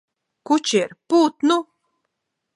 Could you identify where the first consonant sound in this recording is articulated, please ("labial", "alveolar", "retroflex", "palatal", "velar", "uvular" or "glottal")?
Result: velar